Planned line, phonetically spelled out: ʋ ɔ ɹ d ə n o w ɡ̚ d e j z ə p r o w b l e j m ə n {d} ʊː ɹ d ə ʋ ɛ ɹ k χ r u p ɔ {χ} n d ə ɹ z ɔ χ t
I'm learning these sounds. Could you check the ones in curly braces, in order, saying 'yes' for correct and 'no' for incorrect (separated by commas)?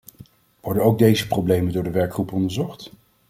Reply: yes, no